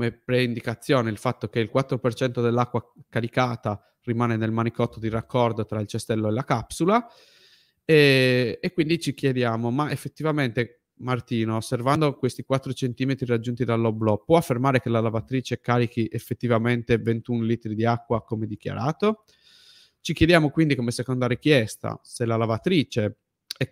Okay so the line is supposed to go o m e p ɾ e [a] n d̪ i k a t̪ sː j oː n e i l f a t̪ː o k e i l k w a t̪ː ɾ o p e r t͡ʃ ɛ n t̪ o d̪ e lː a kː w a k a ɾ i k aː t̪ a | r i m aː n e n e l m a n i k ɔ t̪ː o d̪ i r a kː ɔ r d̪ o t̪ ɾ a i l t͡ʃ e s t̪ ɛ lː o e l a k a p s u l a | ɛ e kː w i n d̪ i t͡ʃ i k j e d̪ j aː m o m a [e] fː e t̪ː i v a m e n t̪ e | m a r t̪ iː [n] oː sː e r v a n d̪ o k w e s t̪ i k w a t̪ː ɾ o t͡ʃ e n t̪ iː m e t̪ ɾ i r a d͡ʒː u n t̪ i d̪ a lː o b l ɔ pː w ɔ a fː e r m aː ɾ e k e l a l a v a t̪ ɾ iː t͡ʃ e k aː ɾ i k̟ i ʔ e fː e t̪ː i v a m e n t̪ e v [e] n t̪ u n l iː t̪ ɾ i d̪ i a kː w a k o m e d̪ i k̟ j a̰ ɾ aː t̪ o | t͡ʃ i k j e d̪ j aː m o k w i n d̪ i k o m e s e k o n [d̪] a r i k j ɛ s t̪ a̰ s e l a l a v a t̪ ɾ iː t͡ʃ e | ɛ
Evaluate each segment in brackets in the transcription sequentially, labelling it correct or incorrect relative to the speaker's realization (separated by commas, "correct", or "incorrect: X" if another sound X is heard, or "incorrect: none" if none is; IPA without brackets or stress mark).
incorrect: i, correct, correct, correct, correct